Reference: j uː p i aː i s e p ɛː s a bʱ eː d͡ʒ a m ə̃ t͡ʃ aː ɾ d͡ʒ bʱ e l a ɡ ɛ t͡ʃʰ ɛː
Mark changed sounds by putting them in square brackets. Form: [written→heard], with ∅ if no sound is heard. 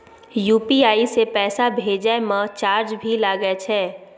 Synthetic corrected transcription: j uː p i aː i s e p ɛː s a bʱ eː d͡ʒ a m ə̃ t͡ʃ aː ɾ d͡ʒ bʱ [e→i] l a ɡ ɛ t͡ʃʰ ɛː

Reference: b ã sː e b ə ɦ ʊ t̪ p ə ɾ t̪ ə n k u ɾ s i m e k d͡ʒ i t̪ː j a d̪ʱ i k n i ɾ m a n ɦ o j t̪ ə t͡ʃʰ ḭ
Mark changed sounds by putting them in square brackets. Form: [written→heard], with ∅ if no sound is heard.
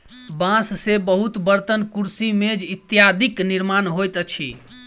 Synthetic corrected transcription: b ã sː e b ə ɦ [ʊ→u] t̪ [p→b] ə ɾ t̪ ə n k u ɾ s i m e [k→∅] d͡ʒ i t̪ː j a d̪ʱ i k n i ɾ m a n ɦ o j t̪ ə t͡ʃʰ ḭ

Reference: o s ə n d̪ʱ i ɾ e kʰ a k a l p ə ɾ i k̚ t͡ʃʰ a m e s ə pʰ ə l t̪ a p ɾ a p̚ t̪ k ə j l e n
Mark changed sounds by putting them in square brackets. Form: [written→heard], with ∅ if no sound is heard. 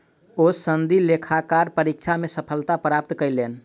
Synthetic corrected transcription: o s ə n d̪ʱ i [ɾ→l] e kʰ a k a [l→ɾ] p ə ɾ i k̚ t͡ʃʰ a m e s ə pʰ ə l t̪ a p ɾ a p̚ t̪ k ə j l e n

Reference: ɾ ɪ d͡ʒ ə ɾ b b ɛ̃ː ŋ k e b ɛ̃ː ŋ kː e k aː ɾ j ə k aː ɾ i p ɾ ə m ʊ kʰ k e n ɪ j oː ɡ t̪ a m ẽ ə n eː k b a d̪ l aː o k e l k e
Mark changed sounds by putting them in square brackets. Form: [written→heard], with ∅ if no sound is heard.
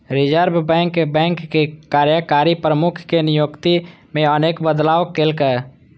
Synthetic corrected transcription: ɾ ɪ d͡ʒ ə ɾ b b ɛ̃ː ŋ k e b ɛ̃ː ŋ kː e k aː ɾ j ə k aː ɾ i p ɾ ə m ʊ kʰ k e n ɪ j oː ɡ t̪ [a→i] m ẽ ə n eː k b [a→ə] d̪ l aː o k e l k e

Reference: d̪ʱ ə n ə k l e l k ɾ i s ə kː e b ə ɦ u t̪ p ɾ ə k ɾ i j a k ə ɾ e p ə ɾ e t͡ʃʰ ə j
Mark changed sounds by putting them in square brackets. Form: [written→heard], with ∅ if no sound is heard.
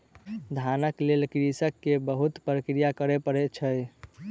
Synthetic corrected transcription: d̪ʱ [ə→a] n ə k l e l k ɾ i s ə kː e b ə ɦ u t̪ p ɾ ə k ɾ i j a k ə ɾ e p ə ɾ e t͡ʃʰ ə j

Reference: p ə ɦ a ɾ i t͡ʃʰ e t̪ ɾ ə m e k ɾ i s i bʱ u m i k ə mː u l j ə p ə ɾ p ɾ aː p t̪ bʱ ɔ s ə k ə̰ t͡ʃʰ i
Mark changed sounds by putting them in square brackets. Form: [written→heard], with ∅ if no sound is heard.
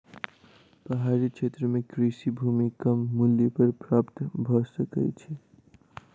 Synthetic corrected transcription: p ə ɦ a ɾ i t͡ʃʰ e t̪ ɾ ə m e k ɾ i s i bʱ u m i k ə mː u l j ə p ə ɾ p ɾ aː p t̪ bʱ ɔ s ə k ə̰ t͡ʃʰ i

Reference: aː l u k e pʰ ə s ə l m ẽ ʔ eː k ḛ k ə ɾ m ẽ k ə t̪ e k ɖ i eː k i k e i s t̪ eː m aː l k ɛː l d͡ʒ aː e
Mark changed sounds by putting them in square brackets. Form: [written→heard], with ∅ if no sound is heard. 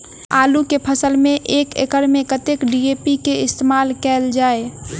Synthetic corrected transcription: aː l u k e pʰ ə s ə l m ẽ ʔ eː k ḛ k ə ɾ m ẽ k ə t̪ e k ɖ i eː [k→p] i k e [i→ɪ] s t̪ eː m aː l k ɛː l d͡ʒ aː e

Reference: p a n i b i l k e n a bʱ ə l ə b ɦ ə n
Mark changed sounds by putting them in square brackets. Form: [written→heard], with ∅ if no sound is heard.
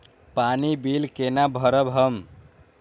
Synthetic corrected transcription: p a n i b i l k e n a bʱ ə [l→ɾ] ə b ɦ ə [n→m]

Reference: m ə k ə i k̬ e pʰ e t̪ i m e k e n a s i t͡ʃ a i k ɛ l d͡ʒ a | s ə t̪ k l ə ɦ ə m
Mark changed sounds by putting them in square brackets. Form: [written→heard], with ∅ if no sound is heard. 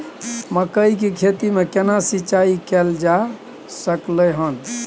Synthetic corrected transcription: m ə k ə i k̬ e [pʰ→kʰ] e t̪ i m e k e n a s i t͡ʃ a i k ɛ l d͡ʒ a | s ə [t̪→∅] k l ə ɦ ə [m→n]

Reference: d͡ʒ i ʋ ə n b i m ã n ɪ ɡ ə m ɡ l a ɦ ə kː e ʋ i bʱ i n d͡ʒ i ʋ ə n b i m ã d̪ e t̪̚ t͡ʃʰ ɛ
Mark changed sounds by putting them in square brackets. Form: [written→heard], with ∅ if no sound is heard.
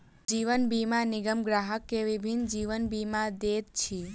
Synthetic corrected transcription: d͡ʒ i ʋ ə n b i m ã n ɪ ɡ ə m ɡ [l→ɾ] a ɦ ə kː e ʋ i bʱ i n d͡ʒ i ʋ ə n b i m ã d̪ e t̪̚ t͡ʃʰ [ɛ→i]

